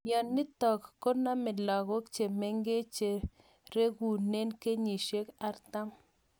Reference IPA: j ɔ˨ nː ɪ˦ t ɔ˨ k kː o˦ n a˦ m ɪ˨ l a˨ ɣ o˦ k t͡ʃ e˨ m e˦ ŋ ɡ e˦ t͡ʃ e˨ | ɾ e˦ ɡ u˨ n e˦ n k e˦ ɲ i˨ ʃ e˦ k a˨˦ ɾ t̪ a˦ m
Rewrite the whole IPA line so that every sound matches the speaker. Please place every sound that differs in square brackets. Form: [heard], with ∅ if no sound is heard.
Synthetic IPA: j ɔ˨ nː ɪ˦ t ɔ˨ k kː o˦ n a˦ m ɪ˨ l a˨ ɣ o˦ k t͡ʃ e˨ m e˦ ŋ ɡ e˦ t͡ʃ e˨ | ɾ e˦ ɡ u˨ n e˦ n k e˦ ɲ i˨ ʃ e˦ k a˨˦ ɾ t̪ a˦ m